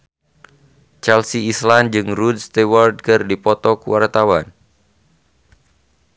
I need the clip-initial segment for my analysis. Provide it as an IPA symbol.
t͡ʃ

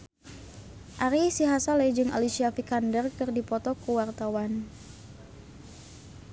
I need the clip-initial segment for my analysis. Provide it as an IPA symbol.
ʔ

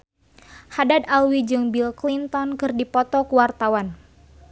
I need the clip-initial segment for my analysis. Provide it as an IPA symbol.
h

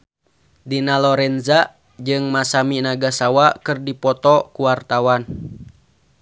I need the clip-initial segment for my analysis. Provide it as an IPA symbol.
d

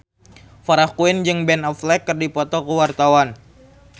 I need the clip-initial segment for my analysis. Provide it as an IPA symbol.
f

